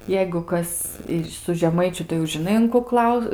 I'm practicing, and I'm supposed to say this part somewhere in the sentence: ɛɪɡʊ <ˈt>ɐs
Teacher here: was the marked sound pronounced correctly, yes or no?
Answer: no